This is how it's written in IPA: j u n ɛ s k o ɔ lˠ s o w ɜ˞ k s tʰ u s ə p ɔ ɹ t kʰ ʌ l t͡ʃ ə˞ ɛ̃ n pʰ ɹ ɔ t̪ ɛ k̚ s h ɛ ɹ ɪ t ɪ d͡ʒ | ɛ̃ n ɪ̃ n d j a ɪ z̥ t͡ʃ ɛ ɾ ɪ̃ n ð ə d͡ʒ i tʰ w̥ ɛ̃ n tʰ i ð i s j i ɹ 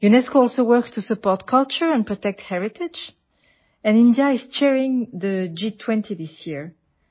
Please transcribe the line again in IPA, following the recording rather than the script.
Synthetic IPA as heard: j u n ɛ s k o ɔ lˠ s o w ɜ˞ k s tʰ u s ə p ɔ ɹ t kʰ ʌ l t͡ʃ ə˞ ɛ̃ n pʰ ɹ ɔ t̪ ɛ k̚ t h ɛ ɹ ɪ t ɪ d͡ʒ | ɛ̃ n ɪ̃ n d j a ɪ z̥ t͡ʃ ɛ ɹ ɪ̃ ŋ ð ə d͡ʒ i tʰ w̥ ɛ̃ n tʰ i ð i s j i ɹ